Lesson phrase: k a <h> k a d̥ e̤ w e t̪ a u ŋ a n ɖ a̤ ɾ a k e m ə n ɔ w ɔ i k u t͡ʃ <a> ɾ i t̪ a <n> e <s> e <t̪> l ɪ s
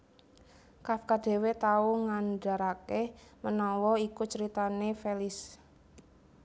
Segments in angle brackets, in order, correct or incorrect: incorrect: f, incorrect: ə, correct, incorrect: f, incorrect: none

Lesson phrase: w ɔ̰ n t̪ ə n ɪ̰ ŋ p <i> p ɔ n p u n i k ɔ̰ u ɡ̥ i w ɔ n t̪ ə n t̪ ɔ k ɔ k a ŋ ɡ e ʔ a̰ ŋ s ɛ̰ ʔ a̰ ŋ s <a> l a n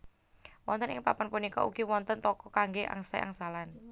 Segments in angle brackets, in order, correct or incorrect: incorrect: a, correct

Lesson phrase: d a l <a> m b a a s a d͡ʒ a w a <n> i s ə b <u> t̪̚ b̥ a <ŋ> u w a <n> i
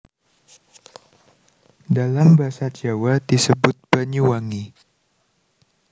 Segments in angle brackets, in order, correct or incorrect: correct, incorrect: d, incorrect: ʊ, incorrect: ɲ, incorrect: ŋ

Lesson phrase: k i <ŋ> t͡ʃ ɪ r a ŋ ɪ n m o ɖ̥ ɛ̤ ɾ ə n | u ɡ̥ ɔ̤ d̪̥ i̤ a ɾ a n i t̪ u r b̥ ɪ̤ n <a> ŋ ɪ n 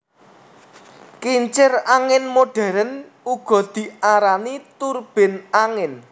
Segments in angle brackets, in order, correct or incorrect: incorrect: ɲ, correct

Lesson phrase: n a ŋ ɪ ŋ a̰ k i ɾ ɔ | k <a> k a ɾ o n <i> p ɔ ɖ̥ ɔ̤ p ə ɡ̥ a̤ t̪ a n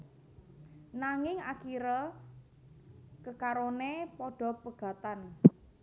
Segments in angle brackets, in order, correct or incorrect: incorrect: ə, incorrect: e

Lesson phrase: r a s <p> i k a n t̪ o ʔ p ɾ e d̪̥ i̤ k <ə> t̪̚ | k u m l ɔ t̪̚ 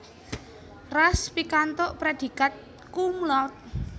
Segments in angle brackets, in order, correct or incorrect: correct, incorrect: a

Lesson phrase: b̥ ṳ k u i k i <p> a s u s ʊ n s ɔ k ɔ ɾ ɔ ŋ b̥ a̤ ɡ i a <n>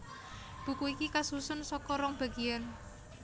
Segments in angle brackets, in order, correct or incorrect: incorrect: k, correct

